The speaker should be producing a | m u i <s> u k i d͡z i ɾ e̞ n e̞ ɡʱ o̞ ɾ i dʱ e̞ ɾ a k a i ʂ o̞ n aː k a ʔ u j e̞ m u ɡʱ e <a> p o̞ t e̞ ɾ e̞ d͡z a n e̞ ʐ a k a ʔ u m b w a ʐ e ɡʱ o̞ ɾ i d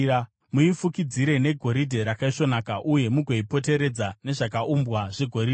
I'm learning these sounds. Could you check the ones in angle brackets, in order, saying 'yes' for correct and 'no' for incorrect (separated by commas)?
no, no